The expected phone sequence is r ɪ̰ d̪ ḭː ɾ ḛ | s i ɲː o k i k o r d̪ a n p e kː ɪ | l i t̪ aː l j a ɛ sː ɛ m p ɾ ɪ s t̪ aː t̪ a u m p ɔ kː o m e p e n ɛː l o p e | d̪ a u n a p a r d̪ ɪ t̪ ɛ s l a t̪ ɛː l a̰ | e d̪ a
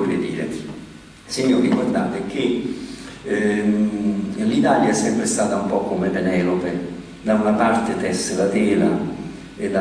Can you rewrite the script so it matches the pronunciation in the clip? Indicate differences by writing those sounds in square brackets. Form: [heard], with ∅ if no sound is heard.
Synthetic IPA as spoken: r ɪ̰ d̪ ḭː ɾ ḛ | s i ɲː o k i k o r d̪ a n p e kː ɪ | l i t̪ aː l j a ɛ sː ɛ m p ɾ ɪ s t̪ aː t̪ a u m p ɔ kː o m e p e n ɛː l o p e | d̪ a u n a p a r [t̪] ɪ t̪ ɛ s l a t̪ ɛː l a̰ | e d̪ a